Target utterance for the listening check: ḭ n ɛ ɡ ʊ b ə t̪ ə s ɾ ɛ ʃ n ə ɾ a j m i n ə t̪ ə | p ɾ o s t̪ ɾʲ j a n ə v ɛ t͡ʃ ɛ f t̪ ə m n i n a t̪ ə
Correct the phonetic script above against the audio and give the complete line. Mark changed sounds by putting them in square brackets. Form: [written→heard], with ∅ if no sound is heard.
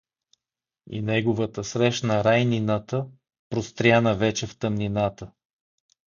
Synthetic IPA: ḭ n ɛ ɡ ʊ [b→v] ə t̪ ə s ɾ ɛ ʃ n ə ɾ a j [m→n] i n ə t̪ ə | p ɾ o s t̪ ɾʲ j a n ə v ɛ t͡ʃ ɛ f t̪ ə m n i n a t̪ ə